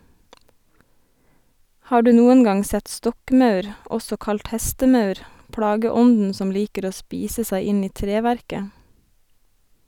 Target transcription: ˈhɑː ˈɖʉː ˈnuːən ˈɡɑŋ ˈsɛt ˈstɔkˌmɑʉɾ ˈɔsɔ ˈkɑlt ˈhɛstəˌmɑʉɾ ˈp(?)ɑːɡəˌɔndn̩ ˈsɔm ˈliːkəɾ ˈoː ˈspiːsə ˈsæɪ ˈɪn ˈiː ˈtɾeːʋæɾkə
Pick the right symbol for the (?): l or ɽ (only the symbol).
ɽ